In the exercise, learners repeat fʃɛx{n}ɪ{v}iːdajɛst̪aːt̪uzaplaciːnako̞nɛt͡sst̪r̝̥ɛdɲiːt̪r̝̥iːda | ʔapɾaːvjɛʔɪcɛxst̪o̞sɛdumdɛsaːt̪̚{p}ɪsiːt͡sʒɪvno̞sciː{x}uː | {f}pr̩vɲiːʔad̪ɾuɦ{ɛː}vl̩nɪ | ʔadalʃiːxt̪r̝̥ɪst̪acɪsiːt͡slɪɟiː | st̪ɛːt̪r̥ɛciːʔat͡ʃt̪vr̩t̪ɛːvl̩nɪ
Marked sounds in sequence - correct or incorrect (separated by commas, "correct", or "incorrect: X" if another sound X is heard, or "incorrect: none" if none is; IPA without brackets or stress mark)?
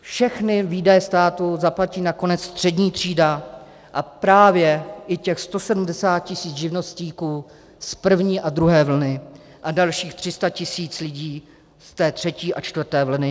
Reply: correct, correct, incorrect: c, incorrect: k, incorrect: s, correct